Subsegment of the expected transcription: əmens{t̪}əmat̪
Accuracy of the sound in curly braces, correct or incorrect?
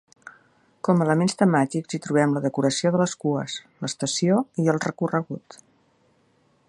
correct